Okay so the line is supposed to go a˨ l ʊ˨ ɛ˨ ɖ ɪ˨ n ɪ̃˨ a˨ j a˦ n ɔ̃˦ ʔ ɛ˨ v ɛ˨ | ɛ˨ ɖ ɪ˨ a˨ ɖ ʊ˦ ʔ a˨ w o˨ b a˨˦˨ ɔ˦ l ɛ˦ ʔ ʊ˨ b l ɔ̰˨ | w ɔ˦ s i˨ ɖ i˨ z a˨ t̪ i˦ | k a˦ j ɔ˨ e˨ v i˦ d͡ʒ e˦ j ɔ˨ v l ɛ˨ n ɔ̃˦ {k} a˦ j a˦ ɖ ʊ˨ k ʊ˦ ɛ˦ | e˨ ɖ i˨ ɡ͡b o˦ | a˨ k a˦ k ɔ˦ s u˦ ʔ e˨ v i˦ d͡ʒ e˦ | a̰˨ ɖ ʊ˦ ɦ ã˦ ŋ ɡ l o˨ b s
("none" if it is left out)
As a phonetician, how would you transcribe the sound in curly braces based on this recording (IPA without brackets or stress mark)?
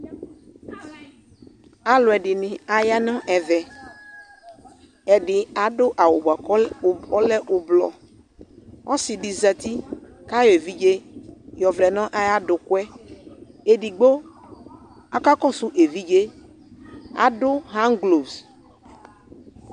ʔ